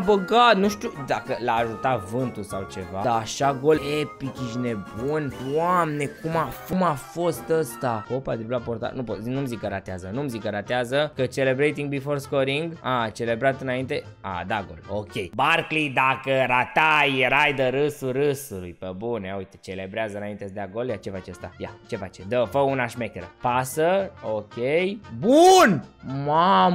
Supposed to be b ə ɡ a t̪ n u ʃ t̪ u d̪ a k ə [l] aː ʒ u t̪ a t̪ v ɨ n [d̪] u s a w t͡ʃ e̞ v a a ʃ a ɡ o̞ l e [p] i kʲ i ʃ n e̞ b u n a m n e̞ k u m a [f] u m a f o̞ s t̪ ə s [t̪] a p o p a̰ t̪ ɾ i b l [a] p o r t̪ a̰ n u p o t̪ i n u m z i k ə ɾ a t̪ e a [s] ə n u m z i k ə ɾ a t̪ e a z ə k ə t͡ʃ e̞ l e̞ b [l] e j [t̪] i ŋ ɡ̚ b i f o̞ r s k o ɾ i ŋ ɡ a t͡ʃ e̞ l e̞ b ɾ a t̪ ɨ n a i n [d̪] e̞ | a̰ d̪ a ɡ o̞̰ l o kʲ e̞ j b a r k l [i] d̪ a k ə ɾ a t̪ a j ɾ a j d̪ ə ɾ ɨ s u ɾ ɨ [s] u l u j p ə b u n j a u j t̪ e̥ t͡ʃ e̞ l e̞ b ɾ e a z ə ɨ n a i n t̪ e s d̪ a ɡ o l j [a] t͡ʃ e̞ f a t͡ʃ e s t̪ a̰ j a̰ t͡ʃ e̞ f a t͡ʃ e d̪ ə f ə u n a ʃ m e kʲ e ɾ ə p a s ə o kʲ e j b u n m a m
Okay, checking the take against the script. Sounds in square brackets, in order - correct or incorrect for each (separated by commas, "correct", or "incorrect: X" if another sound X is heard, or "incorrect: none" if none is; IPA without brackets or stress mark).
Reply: correct, incorrect: t̪, correct, correct, correct, correct, incorrect: z, incorrect: ɾ, correct, incorrect: t̪, correct, correct, correct